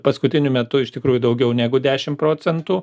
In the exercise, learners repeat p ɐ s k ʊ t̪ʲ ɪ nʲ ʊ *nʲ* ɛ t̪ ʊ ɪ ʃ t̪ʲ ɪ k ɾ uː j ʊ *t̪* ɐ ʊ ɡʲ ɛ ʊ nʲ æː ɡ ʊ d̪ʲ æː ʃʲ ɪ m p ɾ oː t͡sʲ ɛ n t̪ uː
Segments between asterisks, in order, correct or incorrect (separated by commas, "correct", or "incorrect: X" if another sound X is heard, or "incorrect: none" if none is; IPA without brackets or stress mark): incorrect: mʲ, incorrect: d̪